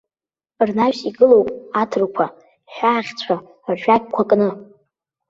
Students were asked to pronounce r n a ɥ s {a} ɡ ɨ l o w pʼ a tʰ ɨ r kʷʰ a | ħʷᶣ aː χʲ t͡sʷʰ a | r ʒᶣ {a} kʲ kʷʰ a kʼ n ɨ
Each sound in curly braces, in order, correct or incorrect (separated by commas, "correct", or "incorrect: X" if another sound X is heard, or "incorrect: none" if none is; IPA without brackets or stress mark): incorrect: i, correct